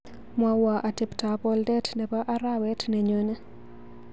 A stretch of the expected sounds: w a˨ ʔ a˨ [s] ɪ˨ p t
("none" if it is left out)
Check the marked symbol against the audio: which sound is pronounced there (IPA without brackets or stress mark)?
t